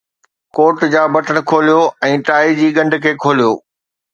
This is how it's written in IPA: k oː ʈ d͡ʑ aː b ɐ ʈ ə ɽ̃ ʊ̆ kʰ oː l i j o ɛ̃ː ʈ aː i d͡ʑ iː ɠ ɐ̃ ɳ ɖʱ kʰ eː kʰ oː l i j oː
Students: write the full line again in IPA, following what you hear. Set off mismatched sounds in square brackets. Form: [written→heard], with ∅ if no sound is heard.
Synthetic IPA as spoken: k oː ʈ d͡ʑ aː b ɐ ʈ ə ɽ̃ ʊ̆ kʰ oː l i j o ɛ̃ː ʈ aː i d͡ʑ iː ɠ ɐ̃ ɳ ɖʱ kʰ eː kʰ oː l i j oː